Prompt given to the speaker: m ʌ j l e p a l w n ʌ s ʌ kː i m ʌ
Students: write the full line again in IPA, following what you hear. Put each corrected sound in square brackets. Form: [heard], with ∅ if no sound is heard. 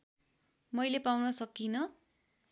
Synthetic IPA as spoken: m ʌ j l e p a [∅] w n ʌ s ʌ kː i [n] ʌ